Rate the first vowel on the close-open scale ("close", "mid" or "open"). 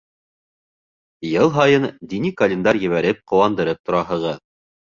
mid